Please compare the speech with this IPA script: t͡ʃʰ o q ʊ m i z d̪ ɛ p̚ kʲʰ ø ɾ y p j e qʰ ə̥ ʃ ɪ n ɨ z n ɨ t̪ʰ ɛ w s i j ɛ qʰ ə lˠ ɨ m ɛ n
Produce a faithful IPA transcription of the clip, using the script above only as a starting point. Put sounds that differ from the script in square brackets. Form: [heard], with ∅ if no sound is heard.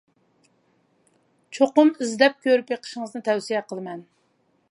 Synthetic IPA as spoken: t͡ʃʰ o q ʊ m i z d̪ ɛ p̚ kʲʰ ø ɾ y p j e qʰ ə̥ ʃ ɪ [ŋ] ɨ z n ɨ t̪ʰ ɛ w s i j ɛ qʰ ə lˠ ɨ m ɛ n